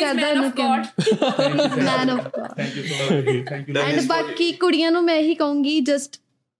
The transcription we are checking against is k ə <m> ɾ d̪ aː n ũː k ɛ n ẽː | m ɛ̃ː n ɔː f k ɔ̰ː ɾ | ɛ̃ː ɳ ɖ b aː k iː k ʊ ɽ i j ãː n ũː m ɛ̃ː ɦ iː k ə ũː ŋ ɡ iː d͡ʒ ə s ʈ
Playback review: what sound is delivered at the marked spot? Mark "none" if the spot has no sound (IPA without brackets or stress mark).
none